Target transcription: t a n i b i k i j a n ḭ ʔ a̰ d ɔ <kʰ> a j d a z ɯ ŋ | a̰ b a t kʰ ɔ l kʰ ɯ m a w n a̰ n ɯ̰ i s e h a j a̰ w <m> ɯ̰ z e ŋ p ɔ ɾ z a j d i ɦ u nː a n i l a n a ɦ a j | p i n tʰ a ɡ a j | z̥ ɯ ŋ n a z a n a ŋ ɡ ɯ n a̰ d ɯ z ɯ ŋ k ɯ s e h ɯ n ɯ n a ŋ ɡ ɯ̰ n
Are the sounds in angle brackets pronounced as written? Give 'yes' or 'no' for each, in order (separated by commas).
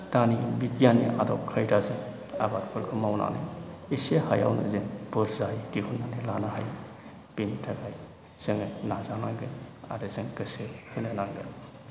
yes, no